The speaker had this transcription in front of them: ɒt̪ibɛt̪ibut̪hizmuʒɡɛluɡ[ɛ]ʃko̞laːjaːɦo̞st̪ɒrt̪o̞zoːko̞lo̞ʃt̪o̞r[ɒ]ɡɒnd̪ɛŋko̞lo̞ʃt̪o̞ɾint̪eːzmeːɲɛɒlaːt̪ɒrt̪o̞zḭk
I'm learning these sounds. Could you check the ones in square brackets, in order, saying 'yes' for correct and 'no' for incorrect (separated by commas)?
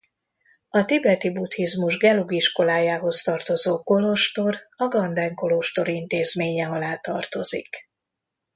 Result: no, yes